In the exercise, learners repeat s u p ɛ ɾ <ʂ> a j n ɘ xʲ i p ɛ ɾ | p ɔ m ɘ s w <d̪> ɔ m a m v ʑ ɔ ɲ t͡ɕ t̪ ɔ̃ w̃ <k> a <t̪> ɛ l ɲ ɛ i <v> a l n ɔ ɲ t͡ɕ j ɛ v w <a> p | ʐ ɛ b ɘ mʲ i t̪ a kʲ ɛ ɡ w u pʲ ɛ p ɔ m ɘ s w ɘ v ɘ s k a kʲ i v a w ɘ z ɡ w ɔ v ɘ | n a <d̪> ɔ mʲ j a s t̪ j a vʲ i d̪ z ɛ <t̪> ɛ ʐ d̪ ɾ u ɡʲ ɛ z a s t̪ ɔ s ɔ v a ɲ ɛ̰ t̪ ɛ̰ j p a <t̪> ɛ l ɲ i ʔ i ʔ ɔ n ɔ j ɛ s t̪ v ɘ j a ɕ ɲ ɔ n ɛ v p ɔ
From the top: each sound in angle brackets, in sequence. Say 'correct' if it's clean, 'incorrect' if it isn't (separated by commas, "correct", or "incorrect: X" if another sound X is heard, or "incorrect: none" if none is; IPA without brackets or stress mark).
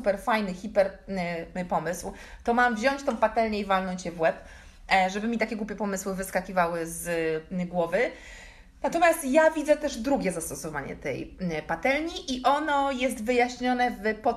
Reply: incorrect: f, incorrect: t̪, incorrect: p, correct, correct, incorrect: ɛ, incorrect: t̪, correct, correct